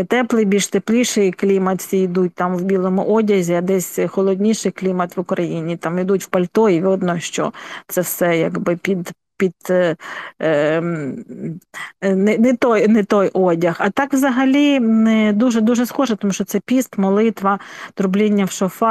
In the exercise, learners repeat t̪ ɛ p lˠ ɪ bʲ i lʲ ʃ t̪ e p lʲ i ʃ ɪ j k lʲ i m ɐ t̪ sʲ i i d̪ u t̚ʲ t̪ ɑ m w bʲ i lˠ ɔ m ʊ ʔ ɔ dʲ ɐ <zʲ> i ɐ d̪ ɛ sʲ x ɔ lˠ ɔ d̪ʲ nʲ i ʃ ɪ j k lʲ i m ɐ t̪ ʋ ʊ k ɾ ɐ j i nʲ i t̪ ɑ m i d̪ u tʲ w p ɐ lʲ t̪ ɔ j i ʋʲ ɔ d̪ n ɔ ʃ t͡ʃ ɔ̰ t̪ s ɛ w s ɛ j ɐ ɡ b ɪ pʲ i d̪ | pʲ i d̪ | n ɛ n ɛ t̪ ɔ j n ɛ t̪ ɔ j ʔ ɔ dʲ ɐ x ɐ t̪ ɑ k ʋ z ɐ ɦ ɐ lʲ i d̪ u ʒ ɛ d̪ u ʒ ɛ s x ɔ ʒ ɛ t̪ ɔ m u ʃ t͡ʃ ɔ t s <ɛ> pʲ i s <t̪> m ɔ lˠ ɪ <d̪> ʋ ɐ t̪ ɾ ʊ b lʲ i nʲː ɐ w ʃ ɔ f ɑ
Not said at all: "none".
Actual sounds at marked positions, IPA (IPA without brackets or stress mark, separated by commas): zʲ, ɛ, t̪, t̪